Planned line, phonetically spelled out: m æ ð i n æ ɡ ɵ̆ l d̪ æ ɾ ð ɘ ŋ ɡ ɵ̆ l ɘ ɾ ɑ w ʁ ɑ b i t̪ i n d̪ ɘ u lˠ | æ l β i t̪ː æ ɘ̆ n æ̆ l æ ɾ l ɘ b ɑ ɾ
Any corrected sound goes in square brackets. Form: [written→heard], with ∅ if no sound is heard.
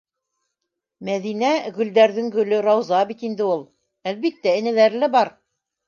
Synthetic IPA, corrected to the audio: m æ ð i n æ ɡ ɵ̆ l d̪ æ ɾ ð ɘ ŋ ɡ ɵ̆ l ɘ ɾ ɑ w [ʁ→z] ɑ b i t̪ i n d̪ ɘ u lˠ | æ l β i t̪ː æ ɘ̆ n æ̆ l æ ɾ l ɘ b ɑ ɾ